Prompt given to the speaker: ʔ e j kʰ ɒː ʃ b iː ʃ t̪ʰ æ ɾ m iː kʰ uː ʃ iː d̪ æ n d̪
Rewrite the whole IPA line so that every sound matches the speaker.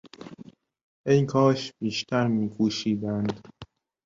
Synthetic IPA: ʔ e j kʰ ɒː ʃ b iː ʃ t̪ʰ æ ɾ m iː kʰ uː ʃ iː d̪ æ n d̪